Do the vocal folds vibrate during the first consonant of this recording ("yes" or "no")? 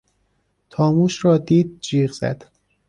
no